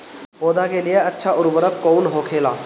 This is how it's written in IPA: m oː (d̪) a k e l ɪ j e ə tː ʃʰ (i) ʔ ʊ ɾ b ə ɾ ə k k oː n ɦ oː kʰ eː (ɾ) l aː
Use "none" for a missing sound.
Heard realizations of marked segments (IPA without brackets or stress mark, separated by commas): d̪, a, none